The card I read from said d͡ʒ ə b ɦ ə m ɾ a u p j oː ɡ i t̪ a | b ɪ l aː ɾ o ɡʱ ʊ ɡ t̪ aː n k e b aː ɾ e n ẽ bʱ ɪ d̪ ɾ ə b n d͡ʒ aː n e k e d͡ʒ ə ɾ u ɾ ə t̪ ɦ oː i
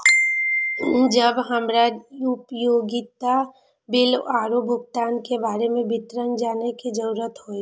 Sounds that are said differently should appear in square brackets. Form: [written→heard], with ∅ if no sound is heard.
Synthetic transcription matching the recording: d͡ʒ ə b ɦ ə m ɾ a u p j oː ɡ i t̪ a | b ɪ l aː ɾ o [ɡʱ→bʱ] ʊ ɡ t̪ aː n k e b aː ɾ e [n→m] ẽ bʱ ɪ [d̪→t̪] ɾ ə [b→∅] n d͡ʒ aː n e k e d͡ʒ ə ɾ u ɾ ə t̪ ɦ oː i